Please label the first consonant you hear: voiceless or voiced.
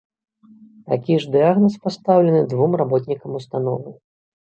voiceless